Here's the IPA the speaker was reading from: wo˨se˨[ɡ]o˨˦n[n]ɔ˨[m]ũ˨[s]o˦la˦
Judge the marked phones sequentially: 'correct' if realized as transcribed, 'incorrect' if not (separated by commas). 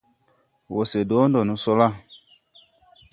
incorrect, incorrect, incorrect, correct